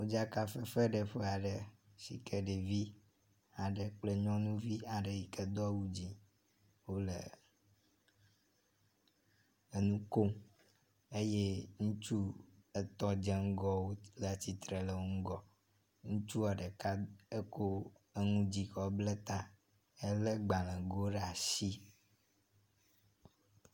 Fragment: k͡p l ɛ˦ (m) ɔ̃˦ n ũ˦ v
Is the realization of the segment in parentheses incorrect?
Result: yes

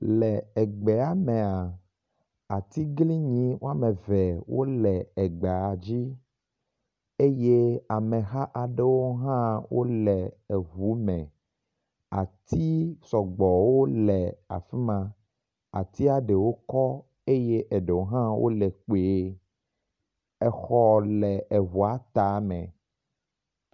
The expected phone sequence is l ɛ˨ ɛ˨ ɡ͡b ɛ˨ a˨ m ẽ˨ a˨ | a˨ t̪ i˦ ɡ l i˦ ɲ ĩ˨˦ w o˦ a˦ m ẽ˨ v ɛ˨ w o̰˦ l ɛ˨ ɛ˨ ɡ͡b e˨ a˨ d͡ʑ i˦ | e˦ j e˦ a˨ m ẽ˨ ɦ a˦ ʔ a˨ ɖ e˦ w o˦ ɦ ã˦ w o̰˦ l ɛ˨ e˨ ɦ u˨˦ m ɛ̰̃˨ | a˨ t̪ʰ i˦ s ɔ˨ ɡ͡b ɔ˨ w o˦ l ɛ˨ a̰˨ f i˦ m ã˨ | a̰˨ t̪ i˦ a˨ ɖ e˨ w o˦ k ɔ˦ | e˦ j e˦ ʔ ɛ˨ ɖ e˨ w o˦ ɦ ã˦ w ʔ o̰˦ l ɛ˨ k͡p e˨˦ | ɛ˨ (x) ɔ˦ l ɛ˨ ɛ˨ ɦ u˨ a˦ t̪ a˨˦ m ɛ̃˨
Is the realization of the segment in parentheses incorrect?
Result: no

